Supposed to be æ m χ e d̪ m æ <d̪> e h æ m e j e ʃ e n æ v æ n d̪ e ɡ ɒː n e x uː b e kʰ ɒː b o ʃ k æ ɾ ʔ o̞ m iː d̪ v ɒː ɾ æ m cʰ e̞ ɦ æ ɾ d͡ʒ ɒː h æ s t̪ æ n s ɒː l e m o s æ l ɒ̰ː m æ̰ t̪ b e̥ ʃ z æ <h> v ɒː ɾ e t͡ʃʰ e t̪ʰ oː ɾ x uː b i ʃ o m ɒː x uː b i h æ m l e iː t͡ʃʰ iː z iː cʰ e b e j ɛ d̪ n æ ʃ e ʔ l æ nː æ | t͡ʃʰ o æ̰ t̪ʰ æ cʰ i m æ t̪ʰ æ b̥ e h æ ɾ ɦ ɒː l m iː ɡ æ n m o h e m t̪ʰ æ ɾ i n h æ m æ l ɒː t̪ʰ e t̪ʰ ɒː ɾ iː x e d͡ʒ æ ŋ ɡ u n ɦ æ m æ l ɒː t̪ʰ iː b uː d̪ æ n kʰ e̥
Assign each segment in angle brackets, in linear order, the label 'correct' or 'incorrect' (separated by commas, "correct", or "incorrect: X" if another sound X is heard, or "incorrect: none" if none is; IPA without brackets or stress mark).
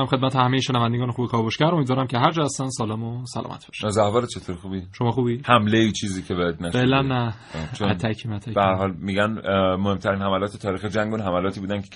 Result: incorrect: t̪, correct